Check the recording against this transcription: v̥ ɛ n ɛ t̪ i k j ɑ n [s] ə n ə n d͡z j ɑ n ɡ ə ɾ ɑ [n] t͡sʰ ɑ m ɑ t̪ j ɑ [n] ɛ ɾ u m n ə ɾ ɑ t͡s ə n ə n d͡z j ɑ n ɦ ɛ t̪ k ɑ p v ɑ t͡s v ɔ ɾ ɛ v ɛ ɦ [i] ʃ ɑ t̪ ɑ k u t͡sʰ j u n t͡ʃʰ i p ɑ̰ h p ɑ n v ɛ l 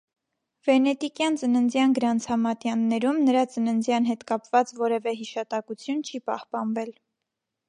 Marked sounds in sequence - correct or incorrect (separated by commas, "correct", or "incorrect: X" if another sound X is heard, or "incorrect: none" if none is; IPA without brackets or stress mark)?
incorrect: t͡s, correct, incorrect: nː, correct